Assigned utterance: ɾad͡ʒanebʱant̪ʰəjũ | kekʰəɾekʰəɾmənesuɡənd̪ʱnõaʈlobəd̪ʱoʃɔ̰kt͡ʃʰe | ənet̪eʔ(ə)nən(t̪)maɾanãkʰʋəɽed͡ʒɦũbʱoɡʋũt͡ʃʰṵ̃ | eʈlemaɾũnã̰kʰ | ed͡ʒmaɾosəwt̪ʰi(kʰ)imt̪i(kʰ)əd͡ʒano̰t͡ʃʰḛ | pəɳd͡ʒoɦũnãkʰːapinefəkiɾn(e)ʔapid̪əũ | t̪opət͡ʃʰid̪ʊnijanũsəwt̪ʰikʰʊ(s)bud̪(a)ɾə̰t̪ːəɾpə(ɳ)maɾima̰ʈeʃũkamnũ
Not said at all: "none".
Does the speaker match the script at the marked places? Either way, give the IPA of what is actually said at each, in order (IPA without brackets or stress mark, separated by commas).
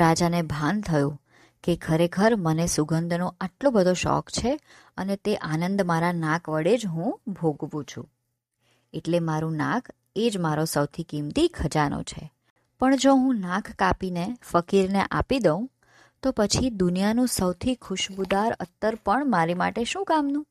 a, d̪, k, kʰ, e, ʃ, a, ɳ